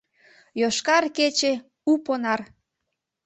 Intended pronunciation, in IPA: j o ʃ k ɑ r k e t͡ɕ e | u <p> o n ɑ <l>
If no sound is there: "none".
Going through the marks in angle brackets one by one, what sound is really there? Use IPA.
p, r

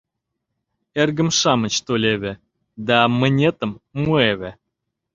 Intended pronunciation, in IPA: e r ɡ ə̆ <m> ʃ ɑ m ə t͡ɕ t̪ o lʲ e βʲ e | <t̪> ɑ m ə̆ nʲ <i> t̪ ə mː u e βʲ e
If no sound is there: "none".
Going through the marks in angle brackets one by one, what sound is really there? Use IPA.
m, d̪, e

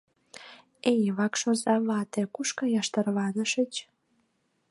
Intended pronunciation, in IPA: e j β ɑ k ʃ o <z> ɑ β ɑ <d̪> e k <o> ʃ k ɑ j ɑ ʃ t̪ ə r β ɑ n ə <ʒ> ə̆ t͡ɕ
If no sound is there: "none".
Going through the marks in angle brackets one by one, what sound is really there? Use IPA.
z, t̪, u, ʃ

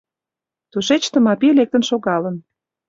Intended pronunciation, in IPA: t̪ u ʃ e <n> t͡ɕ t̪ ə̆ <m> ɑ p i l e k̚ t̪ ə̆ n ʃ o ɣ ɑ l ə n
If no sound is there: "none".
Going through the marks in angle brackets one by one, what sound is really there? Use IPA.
none, m

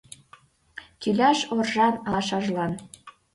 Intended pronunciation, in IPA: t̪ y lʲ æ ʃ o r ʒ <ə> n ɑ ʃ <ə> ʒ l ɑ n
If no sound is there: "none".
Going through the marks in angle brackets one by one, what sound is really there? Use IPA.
ɑ, ɑ

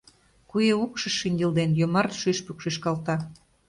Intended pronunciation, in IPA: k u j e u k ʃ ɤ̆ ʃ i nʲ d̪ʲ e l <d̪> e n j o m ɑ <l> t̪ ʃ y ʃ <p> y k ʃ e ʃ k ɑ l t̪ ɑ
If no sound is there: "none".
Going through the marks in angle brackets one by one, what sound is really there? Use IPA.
d̪, r, p

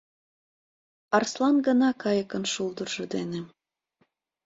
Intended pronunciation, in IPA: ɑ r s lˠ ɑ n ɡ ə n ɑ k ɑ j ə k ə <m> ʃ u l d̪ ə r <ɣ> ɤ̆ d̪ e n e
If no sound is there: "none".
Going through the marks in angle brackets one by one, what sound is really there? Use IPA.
n, ʒ

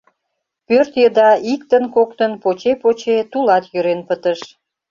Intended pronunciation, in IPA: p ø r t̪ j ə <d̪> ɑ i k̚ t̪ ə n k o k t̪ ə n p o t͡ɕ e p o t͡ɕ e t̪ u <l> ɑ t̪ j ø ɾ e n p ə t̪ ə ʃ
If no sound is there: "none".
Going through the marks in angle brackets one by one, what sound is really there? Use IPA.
d̪, l

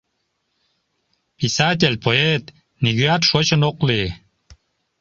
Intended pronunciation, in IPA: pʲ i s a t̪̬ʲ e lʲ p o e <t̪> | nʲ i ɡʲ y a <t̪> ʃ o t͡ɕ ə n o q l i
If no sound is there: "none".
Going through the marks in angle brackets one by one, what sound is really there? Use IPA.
t̪, t̪

